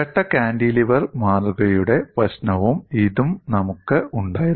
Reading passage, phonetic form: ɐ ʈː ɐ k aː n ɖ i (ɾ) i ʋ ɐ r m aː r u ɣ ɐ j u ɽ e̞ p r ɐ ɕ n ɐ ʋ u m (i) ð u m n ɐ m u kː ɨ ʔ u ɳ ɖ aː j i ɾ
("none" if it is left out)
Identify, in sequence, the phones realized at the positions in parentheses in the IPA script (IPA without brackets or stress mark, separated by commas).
l, i